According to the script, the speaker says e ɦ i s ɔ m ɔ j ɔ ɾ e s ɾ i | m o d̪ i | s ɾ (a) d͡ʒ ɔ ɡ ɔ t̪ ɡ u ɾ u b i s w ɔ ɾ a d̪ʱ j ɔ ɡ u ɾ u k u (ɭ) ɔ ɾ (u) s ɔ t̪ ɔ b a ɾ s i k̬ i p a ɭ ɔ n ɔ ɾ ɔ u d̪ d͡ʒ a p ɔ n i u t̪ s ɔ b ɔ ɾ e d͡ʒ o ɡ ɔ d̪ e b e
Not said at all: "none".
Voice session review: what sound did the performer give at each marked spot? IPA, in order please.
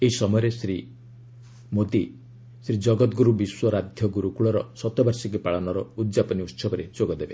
i, ɭ, ɔ

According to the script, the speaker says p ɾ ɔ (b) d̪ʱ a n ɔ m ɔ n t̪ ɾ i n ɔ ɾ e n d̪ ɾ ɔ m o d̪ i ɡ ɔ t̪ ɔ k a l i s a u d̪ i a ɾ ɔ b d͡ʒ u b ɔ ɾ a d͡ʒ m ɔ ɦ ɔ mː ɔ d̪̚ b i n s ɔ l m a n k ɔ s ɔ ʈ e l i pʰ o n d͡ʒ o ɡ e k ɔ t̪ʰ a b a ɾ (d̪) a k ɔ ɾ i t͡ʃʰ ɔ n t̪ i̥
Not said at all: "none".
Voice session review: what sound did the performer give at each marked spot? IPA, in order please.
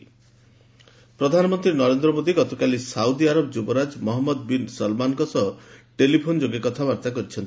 none, t̪

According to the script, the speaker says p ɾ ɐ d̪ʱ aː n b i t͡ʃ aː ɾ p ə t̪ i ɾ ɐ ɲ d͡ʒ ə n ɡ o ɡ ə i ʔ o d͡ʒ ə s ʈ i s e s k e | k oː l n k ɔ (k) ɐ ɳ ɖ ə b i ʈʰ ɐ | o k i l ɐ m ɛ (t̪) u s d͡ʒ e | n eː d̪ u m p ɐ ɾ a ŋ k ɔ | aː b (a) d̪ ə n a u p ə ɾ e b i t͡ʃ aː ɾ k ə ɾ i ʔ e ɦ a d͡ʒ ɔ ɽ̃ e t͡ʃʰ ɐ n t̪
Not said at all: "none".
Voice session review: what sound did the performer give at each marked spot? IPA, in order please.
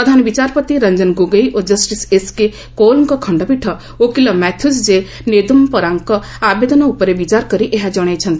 kʰ, t̪ʰ, e

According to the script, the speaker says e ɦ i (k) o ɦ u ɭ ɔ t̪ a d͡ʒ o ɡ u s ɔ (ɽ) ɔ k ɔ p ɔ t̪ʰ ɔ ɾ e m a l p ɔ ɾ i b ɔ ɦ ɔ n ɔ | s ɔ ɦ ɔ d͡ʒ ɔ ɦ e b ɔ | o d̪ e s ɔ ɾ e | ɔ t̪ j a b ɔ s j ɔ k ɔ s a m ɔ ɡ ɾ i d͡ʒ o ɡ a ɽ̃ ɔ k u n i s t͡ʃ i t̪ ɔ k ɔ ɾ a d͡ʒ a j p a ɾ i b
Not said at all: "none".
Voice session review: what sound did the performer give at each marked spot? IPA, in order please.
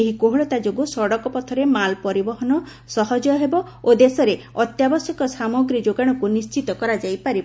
k, ɽ

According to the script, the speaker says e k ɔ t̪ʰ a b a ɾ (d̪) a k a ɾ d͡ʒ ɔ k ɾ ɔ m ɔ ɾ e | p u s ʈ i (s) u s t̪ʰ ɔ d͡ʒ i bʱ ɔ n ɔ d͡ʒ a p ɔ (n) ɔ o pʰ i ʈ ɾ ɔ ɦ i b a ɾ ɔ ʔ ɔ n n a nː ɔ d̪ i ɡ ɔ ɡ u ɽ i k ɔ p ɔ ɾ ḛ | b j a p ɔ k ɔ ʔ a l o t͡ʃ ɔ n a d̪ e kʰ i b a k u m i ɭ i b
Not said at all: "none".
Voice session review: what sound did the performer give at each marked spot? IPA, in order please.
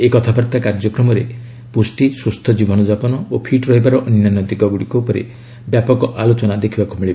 t̪, s, n

